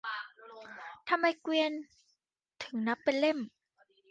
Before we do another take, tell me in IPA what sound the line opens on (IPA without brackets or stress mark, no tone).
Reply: t̪ʰ